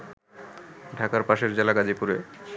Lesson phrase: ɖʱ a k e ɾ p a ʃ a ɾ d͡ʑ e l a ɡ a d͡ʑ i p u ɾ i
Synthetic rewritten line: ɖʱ a k a ɾ p a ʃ e ɾ d͡ʑ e l a ɡ a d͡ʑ i p u ɾ e